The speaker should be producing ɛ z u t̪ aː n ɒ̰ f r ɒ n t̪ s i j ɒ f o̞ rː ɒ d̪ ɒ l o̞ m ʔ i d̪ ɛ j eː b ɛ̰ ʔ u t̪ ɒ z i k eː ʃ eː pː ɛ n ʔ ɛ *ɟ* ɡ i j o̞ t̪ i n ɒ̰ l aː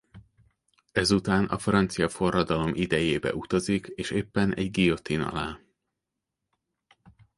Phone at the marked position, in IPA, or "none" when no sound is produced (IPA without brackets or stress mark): ɟ